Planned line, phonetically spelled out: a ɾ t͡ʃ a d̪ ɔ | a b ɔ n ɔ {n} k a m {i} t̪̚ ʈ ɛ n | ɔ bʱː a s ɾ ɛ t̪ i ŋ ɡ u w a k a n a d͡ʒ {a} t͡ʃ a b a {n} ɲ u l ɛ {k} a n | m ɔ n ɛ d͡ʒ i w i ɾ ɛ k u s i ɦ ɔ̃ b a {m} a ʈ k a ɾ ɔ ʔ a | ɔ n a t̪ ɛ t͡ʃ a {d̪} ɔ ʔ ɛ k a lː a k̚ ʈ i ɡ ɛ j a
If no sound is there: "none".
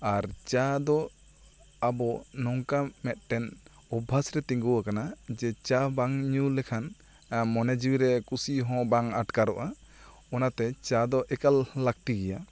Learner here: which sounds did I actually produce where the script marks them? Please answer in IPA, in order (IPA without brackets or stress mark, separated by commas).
ŋ, ɛ, ɛ, ŋ, kʰ, ŋ, d̪